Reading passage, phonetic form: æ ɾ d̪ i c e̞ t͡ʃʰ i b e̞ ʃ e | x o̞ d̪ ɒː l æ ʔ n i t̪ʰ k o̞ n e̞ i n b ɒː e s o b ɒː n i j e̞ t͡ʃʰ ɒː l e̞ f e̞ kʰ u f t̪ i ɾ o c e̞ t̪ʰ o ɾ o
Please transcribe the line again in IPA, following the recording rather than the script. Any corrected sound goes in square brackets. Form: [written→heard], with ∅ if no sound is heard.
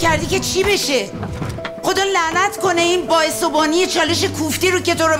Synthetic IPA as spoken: æ ɾ d̪ i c e̞ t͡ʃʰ i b e̞ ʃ e | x o̞ d̪ ɒː l æ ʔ n [i→æ] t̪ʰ k o̞ n e̞ i n b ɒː e s o b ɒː n i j e̞ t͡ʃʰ ɒː l e̞ [f→ʃ] e̞ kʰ u f t̪ i ɾ o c e̞ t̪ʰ o ɾ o